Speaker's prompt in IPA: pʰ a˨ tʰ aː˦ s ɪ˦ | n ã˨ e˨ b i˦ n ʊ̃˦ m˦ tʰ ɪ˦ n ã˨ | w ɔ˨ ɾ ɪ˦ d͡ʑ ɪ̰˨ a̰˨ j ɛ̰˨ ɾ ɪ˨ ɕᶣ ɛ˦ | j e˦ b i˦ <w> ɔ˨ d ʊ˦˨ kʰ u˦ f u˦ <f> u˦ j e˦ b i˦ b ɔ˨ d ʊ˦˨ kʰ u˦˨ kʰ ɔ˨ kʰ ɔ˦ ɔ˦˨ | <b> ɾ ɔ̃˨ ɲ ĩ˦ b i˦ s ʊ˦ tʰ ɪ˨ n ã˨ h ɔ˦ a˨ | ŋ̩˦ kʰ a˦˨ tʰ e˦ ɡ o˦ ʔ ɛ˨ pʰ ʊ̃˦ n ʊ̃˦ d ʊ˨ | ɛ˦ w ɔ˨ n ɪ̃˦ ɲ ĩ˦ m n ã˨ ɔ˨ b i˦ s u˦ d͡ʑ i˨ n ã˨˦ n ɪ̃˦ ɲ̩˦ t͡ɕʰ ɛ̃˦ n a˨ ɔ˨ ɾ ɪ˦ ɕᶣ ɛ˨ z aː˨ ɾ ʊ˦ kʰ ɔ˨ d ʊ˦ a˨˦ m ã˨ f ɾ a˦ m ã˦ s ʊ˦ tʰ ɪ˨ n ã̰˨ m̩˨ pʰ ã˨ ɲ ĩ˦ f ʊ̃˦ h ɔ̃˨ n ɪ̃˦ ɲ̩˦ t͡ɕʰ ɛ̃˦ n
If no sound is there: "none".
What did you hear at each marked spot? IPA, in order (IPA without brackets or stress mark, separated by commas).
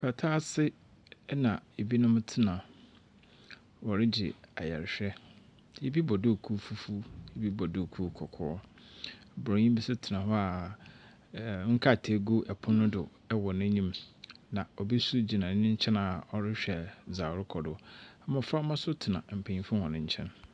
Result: b, f, b